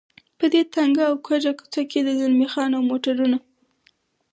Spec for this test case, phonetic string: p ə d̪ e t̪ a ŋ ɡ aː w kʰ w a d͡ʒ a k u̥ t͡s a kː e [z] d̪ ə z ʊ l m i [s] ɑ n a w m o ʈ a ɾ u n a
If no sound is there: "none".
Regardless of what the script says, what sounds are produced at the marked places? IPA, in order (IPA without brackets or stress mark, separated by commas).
none, x